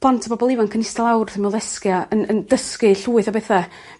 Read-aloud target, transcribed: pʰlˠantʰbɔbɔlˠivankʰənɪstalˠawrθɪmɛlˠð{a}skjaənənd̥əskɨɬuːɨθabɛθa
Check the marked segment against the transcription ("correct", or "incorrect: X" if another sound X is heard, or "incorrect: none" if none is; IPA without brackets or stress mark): incorrect: ɛ